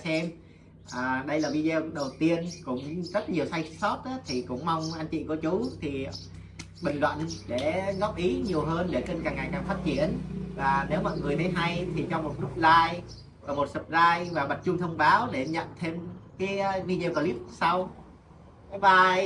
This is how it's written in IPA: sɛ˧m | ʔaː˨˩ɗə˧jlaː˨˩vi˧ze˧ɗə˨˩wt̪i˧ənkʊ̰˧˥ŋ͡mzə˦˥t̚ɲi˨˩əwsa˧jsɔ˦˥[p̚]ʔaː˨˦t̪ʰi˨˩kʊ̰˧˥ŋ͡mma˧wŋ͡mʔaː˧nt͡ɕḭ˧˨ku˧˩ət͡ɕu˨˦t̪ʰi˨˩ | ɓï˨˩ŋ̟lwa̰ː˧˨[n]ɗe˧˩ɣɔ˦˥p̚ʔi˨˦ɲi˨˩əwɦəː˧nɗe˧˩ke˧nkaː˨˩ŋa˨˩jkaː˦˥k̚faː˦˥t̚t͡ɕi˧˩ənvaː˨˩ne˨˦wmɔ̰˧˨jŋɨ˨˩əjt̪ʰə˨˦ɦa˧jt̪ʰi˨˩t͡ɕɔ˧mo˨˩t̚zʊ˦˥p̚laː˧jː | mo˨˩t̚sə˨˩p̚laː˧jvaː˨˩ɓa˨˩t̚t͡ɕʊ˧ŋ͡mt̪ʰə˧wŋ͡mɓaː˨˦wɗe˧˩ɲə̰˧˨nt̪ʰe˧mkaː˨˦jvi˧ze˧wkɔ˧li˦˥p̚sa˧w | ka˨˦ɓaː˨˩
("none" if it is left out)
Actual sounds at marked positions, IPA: t̚, n

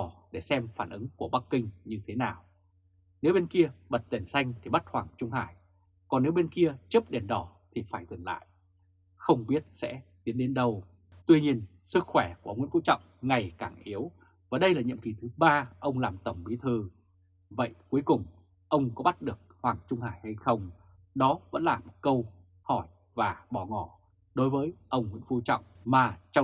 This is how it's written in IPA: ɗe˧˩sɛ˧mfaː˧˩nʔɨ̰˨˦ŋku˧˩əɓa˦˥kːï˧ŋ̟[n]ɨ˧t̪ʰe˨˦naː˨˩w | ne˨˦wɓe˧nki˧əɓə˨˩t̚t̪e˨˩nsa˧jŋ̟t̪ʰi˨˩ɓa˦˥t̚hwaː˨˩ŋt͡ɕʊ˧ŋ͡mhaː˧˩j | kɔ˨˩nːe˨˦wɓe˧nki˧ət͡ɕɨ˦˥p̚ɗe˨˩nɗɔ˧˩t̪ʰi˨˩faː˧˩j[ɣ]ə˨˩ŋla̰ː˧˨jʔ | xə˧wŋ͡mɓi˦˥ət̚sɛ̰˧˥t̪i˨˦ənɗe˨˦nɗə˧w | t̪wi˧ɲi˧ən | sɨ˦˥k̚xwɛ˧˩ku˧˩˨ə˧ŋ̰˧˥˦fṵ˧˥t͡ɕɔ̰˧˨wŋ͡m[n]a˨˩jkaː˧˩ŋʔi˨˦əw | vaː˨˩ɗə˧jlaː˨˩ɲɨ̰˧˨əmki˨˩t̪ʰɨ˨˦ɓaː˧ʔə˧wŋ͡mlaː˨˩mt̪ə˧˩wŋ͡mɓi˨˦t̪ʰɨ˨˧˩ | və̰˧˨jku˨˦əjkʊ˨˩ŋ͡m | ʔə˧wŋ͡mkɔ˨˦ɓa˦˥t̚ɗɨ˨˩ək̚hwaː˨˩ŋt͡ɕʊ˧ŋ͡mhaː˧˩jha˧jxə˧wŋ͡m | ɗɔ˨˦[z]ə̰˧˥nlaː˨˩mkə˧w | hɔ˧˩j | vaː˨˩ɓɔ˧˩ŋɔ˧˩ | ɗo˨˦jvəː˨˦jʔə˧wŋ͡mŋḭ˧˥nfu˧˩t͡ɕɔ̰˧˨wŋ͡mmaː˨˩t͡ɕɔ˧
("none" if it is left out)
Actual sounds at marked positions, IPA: ɲ, z, ŋ, v

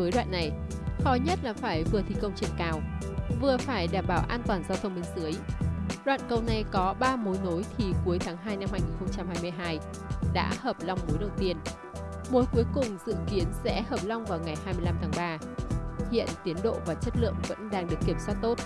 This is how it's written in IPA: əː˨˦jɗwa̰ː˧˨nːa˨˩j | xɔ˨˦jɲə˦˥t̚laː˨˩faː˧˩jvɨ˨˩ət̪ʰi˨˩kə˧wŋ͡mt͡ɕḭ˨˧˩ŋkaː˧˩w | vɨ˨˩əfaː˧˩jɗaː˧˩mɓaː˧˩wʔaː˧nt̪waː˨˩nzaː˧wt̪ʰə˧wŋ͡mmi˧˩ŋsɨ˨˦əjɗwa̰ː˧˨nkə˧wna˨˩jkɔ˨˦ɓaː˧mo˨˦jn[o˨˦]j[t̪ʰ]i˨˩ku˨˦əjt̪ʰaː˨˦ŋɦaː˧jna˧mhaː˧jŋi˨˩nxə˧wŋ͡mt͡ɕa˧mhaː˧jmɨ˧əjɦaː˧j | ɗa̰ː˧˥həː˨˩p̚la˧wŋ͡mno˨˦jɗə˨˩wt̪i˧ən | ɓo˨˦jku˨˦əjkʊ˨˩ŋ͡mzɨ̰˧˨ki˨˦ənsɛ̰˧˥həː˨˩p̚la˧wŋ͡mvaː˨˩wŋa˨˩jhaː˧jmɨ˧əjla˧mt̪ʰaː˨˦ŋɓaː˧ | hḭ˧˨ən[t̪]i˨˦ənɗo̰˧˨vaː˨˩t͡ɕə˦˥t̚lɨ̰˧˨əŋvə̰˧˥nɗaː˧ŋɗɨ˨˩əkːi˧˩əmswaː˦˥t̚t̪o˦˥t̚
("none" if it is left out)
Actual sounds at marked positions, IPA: o˨˦, t̪ʰ, t̪

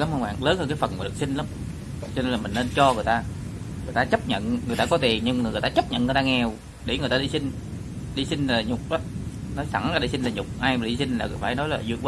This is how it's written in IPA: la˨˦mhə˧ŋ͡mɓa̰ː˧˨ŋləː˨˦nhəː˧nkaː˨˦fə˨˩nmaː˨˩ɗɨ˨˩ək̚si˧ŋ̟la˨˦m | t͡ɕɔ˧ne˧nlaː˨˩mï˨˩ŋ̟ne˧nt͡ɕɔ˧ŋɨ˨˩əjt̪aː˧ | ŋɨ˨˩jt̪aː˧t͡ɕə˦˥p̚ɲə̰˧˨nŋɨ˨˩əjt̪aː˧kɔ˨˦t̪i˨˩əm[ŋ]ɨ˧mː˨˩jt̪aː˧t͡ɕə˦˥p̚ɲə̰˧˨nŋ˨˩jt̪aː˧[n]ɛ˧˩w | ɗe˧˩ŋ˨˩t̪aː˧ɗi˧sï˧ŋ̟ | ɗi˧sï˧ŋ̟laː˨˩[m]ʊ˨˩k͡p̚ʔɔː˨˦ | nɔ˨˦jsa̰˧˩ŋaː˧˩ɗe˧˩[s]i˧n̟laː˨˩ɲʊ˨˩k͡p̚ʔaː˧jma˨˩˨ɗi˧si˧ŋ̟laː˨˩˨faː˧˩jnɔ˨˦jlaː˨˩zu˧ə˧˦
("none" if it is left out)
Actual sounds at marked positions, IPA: ɲ, ŋ, ɲ, s

